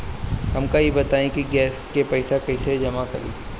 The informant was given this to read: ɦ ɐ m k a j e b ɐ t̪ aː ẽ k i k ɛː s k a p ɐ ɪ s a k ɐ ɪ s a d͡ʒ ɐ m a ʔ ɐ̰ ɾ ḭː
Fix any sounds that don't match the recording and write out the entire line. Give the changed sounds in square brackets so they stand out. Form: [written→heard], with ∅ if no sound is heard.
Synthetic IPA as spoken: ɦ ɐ m k a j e b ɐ t̪ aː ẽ k i [k→ɡ] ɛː s k [a→e] p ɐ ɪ s a k ɐ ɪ s [a→e] d͡ʒ ɐ m a [ʔ→k] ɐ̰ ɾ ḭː